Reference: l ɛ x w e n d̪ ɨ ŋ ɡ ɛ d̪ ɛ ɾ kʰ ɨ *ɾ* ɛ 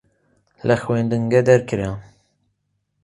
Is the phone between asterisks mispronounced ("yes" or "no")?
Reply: no